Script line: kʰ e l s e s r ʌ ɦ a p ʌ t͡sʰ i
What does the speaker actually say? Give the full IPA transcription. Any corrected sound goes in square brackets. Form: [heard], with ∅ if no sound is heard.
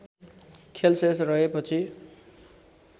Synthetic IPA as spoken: kʰ e l s e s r ʌ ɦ [e] p ʌ t͡sʰ i